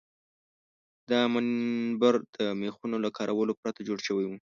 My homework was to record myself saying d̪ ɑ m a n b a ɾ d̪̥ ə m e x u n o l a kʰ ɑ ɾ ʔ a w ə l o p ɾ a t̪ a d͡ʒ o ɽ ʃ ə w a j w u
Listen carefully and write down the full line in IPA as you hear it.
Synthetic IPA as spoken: d̪ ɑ m a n b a ɾ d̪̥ ə m e x u n o l a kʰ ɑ ɾ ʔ a w ə l o p ɾ a t̪ a d͡ʒ o ɽ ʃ ə w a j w u